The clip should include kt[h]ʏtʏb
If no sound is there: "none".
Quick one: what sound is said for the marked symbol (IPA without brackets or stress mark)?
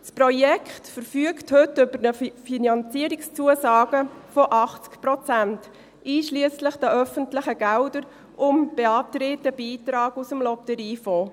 h